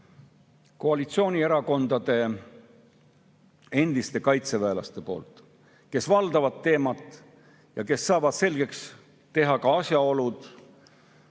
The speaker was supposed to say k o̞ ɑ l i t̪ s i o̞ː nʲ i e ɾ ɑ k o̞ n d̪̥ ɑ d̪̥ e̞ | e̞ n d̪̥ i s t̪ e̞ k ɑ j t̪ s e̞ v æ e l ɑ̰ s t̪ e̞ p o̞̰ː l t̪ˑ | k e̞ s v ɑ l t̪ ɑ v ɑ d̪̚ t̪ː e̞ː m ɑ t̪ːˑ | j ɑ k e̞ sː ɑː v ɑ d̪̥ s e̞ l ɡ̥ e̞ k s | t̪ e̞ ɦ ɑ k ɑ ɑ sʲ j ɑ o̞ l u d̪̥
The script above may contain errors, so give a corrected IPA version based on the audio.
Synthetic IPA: k o̞ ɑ l i t̪ s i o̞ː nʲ i e ɾ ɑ k o̞ n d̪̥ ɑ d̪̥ e̞ | e̞ n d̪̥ i s t̪ e̞ k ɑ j t̪ s e̞ v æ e l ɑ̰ s t̪ e̞ p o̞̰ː l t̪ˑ | k e̞ s v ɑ l d̪ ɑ v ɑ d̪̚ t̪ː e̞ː m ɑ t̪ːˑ | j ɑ k e̞ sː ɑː v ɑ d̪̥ s e̞ l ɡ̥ e̞ k s | t̪ e̞ ɦ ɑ k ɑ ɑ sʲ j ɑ o̞ l u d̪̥